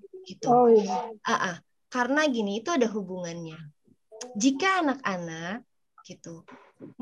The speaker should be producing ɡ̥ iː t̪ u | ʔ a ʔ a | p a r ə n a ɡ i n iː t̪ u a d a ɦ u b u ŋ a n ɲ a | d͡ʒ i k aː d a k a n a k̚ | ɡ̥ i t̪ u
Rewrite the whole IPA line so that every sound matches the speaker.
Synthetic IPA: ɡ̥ i t̪ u | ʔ a ʔ a | k a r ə n a ɡ i n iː t̪ u a d a ɦ u b u ŋ a n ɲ a | d͡ʒ i k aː n a k a n a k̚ | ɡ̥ i t̪ u